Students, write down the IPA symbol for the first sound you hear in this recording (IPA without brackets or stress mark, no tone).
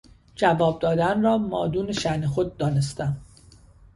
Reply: d͡ʒ